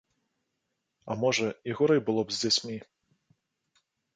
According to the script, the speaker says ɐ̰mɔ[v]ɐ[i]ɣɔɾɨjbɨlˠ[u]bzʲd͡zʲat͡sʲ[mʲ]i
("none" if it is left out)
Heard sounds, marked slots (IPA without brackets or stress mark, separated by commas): ʐ, i, ɔ, mʲ